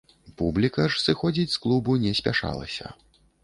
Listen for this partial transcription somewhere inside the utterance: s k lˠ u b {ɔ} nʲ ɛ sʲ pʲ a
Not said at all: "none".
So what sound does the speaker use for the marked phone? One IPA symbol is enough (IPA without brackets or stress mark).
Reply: u